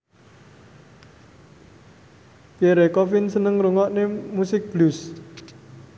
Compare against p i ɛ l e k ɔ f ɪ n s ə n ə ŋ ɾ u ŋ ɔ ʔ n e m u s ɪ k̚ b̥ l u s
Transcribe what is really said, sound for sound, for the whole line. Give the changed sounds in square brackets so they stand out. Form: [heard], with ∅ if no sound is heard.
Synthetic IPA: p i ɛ [ɾ] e k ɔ f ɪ n s ə n ə ŋ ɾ u ŋ ɔ ʔ n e m u s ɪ k̚ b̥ l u s

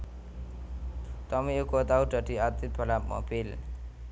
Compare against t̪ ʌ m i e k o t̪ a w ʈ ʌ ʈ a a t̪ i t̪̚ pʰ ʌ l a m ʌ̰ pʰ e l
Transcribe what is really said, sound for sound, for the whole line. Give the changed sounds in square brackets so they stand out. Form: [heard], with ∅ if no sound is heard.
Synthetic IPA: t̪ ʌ m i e k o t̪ a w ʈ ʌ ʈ [i] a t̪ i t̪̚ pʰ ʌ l a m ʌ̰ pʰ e l

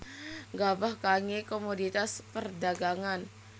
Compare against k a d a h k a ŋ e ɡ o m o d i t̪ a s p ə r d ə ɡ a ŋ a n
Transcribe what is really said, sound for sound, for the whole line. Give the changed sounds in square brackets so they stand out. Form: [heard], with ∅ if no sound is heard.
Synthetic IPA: [ɡ] a [b] a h k a ŋ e [k] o m o d i t̪ a s p ə r d [a] ɡ a ŋ a n

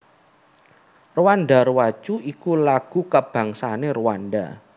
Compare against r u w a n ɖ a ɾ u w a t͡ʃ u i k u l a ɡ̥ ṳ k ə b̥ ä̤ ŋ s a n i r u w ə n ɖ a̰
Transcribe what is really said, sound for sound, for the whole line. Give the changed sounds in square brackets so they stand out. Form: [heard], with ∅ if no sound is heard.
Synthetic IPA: r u w a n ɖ a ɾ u w a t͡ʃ u i k u l a ɡ̥ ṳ k ə b̥ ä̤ ŋ s a n [e] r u w [a] n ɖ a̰

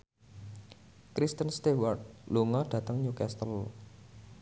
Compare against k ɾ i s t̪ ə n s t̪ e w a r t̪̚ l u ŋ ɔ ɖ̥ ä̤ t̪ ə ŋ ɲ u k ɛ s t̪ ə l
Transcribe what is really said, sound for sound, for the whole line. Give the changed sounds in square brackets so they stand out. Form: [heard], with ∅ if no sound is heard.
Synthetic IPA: k ɾ i s t̪ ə n s t̪ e w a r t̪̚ l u ŋ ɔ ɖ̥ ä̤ t̪ ə ŋ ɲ u k ɛ s t̪ ə l

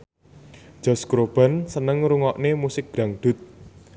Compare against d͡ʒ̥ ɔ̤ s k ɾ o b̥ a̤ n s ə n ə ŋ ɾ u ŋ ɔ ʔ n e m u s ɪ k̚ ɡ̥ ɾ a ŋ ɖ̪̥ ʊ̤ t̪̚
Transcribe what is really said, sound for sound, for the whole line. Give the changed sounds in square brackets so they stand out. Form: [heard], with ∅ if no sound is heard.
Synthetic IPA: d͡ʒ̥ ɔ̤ s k ɾ o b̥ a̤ n s ə n ə ŋ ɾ u ŋ ɔ ʔ n e m u s ɪ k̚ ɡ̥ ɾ a ŋ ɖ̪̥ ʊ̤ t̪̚

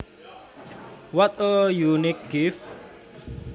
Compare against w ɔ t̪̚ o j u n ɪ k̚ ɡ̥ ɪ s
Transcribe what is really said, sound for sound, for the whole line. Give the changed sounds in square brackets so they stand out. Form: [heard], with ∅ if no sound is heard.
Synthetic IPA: w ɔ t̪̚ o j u n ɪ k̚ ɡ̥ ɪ [f]

